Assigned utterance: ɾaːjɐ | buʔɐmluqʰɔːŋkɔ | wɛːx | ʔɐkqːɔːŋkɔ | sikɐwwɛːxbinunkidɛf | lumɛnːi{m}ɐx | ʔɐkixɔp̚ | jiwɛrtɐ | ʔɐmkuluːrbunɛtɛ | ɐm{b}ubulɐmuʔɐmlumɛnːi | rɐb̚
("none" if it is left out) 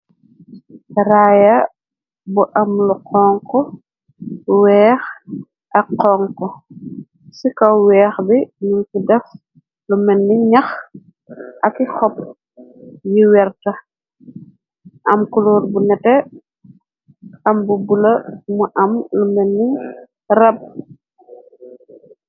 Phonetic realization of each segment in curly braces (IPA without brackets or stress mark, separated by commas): ɲ, b